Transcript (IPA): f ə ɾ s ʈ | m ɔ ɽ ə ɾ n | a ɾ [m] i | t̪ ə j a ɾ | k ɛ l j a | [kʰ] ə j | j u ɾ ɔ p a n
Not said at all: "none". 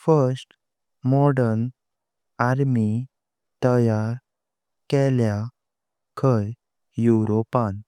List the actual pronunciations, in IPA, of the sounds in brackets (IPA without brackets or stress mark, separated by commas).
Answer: m, kʰ